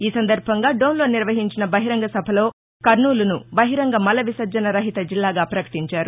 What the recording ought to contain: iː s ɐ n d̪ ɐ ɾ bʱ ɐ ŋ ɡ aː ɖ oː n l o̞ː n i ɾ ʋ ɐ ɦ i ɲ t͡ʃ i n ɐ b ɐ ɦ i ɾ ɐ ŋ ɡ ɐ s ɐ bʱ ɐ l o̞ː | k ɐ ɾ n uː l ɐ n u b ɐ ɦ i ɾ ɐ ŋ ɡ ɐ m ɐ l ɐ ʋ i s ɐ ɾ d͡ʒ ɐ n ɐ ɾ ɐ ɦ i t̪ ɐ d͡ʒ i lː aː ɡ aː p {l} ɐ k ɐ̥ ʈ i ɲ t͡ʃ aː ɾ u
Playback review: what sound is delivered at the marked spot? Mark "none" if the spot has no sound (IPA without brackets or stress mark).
ɾ